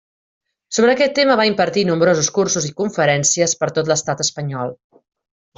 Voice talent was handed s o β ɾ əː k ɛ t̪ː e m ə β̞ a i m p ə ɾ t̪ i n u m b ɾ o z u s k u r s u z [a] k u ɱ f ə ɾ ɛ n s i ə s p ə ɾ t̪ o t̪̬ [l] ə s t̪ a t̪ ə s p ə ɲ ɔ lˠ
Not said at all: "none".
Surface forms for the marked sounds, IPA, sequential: i, l

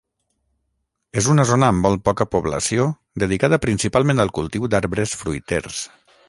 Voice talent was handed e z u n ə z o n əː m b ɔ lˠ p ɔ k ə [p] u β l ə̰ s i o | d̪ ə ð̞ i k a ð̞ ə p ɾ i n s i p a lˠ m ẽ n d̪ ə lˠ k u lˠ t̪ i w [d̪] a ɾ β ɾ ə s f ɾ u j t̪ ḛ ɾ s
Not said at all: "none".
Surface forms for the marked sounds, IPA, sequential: p, d̪

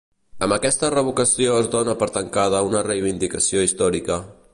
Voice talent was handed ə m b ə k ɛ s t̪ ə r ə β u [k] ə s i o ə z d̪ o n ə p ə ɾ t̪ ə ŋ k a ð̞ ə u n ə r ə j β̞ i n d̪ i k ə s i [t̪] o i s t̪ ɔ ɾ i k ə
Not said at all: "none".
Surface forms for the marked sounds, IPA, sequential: k, none

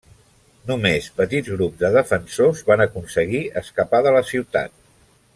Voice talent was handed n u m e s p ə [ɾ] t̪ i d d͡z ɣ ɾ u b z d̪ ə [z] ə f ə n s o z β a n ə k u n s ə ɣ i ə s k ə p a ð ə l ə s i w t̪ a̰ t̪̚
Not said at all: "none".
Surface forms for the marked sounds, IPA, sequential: none, ð

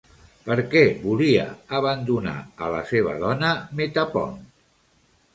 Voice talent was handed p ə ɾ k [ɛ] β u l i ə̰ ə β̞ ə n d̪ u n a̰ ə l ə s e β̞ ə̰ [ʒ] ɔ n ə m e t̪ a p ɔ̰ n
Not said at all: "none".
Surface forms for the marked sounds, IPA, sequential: ɛ, ð

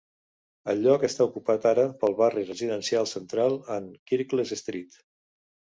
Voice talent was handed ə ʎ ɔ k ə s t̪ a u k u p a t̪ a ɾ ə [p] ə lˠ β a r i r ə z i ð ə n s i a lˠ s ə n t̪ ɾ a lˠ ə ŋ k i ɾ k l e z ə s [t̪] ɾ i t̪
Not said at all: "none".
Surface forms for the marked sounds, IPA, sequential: p, t̪

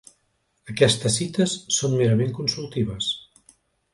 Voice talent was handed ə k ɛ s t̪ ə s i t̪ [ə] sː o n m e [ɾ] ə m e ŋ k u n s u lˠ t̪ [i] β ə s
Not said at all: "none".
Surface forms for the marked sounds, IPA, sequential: ə, ɾ, i

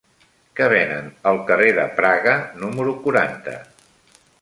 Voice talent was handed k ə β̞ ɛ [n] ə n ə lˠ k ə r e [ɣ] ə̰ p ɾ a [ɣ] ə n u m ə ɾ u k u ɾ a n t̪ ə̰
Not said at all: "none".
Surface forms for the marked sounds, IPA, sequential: n, ð, ɣ

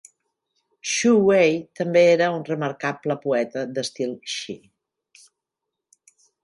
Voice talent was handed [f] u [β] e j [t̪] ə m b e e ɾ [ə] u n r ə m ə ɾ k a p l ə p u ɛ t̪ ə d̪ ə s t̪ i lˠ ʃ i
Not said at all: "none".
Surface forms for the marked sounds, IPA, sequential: ʃ, w, t̪, ə

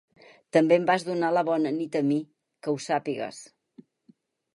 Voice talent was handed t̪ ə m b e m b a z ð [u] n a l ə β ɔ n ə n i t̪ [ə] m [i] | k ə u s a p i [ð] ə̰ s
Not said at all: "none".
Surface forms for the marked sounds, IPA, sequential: u, ə, i, ɣ

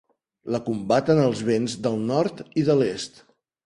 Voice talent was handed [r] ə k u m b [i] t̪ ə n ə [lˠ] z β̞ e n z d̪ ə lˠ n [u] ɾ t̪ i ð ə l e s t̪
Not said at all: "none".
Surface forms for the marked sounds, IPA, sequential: l, a, lˠ, ɔ

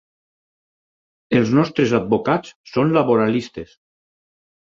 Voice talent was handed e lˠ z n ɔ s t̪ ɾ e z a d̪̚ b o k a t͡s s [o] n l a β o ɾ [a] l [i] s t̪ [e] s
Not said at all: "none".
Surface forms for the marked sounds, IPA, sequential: o, a, i, e

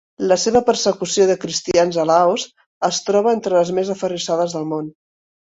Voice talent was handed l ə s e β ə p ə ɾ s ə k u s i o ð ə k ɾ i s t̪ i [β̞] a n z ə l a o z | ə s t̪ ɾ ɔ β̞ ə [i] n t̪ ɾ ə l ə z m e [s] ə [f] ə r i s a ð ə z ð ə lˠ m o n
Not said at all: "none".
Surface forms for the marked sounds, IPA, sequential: none, e, z, f

